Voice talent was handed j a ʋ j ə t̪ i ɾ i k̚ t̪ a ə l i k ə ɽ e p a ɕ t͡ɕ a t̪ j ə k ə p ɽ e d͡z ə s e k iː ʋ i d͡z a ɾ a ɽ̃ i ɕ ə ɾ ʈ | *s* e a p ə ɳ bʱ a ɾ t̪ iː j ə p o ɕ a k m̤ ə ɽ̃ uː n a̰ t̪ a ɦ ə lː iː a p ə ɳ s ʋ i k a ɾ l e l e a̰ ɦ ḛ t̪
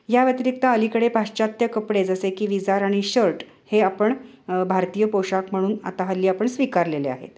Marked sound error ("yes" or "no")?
yes